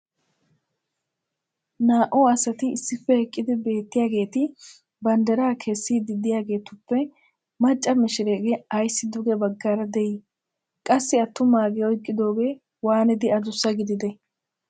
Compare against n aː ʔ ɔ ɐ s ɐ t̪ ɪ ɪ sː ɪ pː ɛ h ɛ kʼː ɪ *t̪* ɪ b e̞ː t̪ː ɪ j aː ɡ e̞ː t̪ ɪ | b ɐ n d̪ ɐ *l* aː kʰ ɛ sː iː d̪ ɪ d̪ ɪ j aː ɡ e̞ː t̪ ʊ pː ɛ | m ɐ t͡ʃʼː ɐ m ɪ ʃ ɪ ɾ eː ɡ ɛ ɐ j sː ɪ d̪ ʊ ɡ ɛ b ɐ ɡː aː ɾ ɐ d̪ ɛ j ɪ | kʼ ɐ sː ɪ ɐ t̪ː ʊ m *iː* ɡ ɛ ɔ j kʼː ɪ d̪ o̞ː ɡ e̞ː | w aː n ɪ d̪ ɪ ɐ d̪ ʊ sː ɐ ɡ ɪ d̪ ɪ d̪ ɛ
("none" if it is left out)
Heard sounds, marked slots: d̪, ɾ, aː

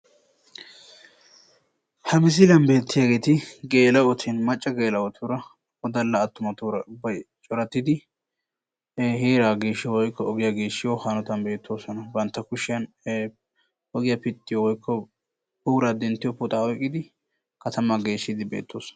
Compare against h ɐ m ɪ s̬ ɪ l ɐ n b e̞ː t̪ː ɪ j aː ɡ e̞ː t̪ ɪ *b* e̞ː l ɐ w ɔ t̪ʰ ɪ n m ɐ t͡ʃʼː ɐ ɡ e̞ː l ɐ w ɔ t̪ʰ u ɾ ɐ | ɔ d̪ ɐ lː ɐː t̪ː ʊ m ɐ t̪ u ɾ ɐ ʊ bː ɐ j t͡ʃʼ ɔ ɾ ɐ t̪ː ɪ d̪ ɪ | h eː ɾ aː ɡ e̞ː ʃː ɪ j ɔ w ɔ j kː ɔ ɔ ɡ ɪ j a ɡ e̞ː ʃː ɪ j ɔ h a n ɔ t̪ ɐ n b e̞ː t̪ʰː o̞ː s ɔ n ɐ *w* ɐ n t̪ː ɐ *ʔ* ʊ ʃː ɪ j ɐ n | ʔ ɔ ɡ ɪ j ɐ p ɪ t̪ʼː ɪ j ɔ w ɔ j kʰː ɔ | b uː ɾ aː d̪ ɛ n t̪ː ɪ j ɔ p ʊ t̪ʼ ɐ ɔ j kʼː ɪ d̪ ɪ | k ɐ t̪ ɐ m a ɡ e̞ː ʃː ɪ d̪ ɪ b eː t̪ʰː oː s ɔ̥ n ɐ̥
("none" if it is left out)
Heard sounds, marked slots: ɡ, b, k

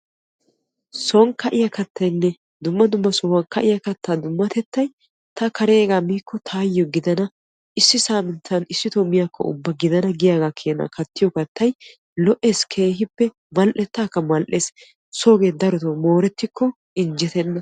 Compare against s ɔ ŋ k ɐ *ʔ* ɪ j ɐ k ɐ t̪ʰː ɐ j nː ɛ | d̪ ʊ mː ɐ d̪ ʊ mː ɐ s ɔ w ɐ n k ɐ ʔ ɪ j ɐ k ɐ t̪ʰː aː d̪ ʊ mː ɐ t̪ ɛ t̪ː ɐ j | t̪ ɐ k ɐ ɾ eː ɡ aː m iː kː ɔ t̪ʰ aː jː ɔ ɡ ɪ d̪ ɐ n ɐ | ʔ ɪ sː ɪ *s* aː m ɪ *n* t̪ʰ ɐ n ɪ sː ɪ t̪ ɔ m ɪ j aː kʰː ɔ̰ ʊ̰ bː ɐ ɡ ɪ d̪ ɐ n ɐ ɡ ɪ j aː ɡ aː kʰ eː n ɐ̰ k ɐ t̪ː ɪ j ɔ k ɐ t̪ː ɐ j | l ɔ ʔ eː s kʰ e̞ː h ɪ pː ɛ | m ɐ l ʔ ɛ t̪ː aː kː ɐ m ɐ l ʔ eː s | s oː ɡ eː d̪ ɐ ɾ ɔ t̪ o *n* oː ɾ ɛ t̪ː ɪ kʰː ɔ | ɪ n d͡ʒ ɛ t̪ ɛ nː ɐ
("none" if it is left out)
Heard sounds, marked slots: ʔ, s, n, m

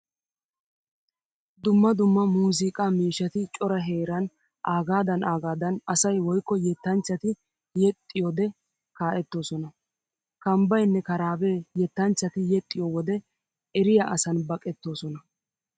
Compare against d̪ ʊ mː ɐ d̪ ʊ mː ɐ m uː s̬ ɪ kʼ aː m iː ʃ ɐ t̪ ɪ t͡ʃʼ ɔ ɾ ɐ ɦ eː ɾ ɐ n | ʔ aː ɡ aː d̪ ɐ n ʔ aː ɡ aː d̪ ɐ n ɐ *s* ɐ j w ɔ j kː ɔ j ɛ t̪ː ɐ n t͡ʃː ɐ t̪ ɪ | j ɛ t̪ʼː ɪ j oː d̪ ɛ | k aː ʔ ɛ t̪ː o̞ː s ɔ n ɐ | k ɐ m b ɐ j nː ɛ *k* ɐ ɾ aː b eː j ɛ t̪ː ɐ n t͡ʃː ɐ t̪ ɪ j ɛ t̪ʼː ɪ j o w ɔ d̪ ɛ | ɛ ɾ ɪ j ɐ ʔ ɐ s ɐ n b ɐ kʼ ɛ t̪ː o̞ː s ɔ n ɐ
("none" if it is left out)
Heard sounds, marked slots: s, k

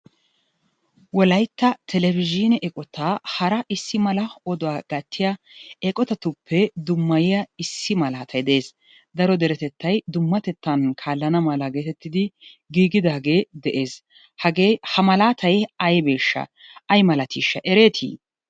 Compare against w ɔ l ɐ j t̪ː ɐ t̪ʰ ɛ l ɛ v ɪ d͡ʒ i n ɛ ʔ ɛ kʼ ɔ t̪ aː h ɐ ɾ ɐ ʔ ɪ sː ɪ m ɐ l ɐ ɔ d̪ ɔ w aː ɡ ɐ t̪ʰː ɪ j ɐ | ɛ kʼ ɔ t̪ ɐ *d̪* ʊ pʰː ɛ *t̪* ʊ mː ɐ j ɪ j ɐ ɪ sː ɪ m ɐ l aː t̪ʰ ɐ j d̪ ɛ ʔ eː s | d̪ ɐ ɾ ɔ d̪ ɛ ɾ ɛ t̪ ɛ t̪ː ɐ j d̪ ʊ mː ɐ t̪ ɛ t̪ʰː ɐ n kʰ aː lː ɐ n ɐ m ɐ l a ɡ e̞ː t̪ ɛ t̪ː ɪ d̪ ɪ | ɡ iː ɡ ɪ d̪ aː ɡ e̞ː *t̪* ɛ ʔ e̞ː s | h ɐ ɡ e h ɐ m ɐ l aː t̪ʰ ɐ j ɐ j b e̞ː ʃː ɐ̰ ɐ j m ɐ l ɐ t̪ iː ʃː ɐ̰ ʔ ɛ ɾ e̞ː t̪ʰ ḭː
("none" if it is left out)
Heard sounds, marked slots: t̪, d̪, d̪

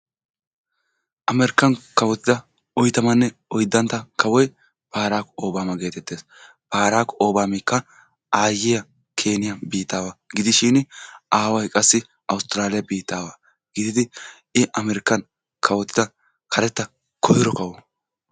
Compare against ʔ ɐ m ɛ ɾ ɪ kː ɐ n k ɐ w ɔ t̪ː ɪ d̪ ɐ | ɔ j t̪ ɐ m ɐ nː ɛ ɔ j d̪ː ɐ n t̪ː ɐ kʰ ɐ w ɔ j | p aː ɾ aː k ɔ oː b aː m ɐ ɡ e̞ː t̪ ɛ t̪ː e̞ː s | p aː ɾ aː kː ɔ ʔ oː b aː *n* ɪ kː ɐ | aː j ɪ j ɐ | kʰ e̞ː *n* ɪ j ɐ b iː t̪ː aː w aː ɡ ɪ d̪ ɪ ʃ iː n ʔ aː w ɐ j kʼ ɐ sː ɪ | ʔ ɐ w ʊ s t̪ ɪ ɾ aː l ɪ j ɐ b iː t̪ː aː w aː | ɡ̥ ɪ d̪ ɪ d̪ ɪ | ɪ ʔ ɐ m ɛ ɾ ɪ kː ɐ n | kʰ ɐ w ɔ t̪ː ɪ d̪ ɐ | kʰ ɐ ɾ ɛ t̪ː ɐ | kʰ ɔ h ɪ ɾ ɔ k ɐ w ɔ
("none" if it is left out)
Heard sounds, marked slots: m, n

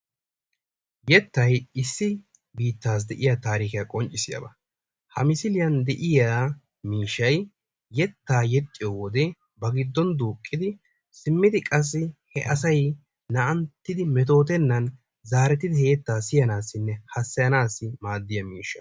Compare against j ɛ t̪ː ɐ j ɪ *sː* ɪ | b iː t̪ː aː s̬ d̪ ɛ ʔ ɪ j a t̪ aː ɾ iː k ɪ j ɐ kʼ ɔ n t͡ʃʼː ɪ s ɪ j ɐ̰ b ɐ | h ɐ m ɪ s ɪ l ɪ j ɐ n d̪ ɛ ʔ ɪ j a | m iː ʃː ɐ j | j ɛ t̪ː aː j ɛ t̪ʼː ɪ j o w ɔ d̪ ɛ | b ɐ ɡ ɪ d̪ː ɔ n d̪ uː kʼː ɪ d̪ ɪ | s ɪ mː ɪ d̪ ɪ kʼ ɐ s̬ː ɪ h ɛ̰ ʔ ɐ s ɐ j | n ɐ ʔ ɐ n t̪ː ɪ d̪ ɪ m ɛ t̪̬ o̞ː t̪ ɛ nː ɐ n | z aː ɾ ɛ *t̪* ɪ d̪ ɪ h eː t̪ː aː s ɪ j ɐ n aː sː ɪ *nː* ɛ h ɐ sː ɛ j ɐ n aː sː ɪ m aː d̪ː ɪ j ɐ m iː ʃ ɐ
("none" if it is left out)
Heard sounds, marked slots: sː, t̪, nː

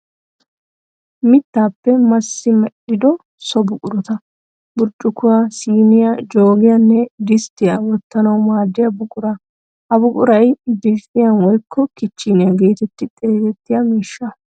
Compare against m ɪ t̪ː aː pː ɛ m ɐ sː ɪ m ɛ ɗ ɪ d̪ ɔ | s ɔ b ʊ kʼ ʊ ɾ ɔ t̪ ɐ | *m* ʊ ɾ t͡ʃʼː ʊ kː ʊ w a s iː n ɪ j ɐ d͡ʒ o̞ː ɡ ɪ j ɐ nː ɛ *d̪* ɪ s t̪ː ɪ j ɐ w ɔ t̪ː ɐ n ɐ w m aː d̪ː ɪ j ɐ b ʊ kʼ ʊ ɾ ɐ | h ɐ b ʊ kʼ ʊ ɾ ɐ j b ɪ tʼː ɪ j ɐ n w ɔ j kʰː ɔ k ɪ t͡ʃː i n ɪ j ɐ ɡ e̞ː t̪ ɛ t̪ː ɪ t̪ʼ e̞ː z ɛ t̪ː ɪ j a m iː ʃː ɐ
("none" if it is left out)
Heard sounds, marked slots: b, d̪

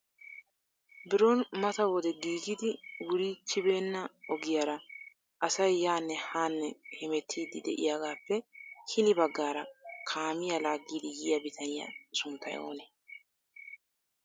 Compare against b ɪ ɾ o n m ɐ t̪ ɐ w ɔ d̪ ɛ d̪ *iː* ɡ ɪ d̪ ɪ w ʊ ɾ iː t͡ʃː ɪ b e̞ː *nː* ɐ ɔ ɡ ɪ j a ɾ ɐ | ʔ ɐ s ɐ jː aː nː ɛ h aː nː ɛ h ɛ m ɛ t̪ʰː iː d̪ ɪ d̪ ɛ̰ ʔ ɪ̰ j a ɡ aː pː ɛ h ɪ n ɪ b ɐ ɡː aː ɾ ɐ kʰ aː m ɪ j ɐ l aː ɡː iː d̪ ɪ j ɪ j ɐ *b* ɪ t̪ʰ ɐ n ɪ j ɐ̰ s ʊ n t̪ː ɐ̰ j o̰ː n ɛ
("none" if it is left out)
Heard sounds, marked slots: iː, nː, b

